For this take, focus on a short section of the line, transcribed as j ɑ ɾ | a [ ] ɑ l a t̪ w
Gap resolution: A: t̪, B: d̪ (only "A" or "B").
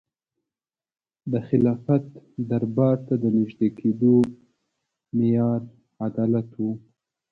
B